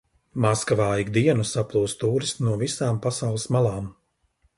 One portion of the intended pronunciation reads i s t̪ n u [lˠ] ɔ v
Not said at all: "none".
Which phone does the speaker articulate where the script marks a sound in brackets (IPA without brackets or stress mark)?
none